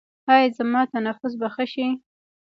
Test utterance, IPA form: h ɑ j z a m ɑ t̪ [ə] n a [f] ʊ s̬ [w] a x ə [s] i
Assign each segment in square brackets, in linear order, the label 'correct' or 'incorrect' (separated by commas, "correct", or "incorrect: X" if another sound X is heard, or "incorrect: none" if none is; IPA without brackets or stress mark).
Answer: incorrect: a, correct, incorrect: b, incorrect: ʃ